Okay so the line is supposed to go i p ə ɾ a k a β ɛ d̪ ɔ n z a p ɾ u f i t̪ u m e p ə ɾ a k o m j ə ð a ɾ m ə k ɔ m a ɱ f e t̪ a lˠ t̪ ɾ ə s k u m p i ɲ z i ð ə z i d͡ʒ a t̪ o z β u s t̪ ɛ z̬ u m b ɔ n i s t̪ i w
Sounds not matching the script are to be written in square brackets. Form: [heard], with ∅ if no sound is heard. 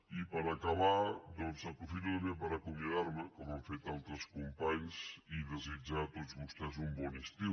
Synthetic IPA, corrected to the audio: i p ə ɾ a k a β [a] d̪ ɔ n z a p ɾ u f i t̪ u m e p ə ɾ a k [u] m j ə ð a ɾ m ə k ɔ m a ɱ f e t̪ a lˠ t̪ ɾ ə s k u m p [a] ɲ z i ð ə z i d͡ʒ a t̪ o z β u s t̪ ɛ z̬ u m b ɔ n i s t̪ i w